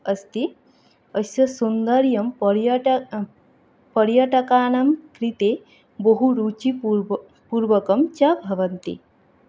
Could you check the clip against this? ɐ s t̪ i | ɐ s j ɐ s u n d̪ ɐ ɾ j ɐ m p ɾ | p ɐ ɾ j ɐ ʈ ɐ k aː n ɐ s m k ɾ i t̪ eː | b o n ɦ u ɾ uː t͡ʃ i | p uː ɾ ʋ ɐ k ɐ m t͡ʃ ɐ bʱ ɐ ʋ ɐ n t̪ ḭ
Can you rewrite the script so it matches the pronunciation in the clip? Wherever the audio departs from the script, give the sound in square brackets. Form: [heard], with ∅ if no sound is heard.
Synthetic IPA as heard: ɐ s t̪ i | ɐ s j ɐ s u n d̪ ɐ ɾ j ɐ m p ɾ | p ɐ ɾ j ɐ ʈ ɐ k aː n ɐ [∅] m k ɾ i t̪ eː | b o [∅] ɦ u ɾ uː t͡ʃ i | p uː ɾ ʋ ɐ k ɐ m t͡ʃ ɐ bʱ ɐ ʋ ɐ n t̪ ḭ